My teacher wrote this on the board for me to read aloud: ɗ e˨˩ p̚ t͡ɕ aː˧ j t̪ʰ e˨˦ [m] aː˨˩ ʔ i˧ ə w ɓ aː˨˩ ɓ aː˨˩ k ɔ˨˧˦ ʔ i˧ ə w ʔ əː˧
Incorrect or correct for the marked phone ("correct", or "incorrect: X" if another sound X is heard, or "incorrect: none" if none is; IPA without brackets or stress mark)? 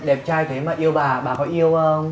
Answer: correct